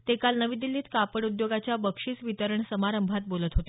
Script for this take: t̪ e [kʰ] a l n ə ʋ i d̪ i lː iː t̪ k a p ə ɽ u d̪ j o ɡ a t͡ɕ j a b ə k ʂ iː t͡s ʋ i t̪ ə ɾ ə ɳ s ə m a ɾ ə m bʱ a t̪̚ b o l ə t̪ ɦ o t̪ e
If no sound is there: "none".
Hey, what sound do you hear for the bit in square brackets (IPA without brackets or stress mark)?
k